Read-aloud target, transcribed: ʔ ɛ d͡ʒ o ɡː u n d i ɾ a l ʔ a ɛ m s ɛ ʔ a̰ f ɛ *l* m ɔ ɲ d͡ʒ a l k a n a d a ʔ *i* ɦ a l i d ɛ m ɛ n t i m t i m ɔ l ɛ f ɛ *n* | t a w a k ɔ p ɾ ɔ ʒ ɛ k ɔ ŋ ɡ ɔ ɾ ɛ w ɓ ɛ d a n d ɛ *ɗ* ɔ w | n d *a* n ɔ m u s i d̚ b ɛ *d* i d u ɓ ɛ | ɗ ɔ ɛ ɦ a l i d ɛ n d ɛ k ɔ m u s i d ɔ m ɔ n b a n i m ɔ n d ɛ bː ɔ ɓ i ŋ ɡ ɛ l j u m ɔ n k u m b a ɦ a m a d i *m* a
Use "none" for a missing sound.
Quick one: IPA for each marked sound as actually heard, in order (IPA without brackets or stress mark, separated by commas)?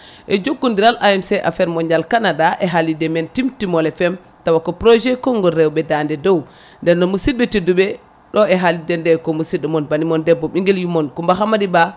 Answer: ɾ, ɛ, m, d, ɛ, t, b